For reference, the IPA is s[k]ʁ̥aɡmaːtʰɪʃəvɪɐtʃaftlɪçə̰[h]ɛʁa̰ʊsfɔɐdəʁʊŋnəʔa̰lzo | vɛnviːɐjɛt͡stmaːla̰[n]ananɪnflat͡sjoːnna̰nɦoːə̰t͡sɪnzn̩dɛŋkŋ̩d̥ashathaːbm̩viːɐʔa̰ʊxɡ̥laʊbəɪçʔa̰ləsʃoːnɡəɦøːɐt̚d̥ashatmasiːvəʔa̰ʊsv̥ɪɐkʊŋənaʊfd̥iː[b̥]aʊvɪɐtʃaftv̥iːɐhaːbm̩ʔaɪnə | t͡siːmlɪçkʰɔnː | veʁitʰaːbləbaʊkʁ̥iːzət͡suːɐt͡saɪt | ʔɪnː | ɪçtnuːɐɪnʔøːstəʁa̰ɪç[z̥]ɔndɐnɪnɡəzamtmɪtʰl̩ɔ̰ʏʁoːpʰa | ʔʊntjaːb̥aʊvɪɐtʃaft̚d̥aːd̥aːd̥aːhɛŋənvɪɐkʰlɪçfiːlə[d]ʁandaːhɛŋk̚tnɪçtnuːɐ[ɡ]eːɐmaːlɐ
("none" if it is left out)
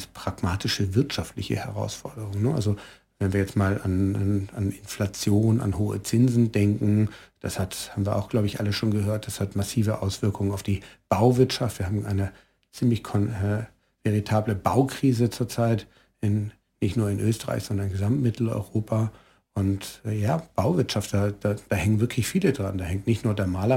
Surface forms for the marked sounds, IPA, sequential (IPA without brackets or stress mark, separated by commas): p, h, n, b̥, z̥, d, d